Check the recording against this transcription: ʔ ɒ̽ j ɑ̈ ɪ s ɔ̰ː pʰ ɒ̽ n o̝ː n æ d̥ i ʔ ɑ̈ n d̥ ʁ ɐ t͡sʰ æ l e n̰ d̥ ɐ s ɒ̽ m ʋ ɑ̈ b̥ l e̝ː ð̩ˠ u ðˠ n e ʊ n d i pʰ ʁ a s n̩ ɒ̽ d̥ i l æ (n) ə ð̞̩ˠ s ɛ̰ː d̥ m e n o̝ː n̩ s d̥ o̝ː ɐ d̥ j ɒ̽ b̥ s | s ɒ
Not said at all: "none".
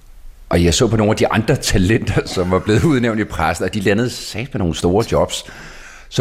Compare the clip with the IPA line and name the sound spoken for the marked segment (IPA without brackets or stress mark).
n